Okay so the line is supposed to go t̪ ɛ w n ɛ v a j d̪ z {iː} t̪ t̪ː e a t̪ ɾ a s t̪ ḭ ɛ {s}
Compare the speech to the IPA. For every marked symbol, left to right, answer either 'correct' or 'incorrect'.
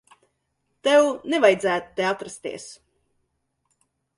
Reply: incorrect: æː, correct

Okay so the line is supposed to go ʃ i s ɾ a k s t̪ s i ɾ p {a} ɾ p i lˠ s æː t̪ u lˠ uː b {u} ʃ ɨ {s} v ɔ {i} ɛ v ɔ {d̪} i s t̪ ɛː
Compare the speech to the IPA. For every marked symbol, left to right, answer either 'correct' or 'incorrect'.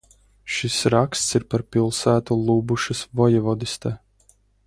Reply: correct, correct, correct, incorrect: j, correct

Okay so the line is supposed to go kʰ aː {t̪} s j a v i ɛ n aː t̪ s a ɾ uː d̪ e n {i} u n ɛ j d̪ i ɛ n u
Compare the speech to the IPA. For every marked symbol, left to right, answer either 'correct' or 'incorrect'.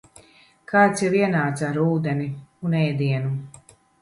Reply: correct, correct

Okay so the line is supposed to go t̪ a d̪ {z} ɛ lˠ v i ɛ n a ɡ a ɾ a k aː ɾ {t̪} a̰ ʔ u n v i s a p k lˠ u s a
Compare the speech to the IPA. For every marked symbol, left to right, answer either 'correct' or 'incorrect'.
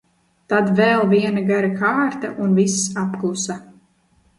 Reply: incorrect: v, correct

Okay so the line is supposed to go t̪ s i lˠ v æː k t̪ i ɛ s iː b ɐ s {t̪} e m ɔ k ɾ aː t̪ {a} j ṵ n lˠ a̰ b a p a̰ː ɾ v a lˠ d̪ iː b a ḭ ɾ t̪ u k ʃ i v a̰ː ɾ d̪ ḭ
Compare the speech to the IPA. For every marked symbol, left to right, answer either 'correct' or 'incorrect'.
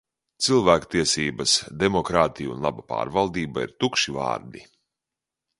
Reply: incorrect: d̪, incorrect: i

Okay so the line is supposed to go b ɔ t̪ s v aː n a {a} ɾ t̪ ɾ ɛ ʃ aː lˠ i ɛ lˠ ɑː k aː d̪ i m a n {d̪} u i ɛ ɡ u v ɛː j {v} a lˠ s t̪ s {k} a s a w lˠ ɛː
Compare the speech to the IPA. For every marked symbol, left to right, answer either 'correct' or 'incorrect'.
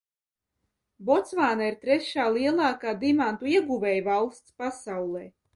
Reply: incorrect: i, incorrect: t̪, correct, incorrect: p

